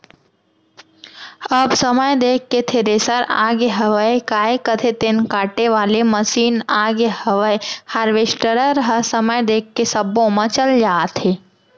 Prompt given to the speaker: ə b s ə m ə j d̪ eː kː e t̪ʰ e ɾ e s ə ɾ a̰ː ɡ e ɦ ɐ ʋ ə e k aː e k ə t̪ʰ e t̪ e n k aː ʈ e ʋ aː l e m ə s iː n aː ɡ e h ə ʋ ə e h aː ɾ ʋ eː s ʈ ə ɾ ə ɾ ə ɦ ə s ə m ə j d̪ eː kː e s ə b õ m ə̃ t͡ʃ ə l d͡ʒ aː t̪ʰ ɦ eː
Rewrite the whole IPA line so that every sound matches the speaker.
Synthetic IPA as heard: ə b s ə m ə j d̪ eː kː e t̪ʰ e ɾ e s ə ɾ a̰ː ɡ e ɦ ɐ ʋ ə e k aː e k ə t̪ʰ e t̪ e n k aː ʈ e ʋ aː l e m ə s iː n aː ɡ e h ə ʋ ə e h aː ɾ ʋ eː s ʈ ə ɾ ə ɾ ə ɦ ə s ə m ə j d̪ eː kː e s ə b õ m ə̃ t͡ʃ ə l d͡ʒ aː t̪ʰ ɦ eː